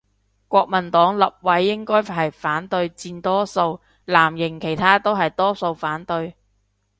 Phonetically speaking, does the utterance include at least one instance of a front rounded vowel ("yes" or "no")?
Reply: no